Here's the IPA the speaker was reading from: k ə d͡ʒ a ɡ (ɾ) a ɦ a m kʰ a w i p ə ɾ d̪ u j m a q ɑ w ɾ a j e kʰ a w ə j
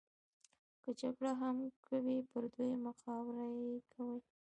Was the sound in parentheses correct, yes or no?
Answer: no